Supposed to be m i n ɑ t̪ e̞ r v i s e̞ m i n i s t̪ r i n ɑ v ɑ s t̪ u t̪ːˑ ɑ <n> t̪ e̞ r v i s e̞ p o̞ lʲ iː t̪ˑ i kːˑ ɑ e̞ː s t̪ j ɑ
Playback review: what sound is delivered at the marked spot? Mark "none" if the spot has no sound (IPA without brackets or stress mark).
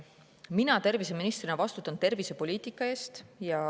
n